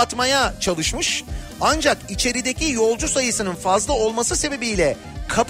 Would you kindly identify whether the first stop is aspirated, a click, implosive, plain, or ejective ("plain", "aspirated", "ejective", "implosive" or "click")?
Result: plain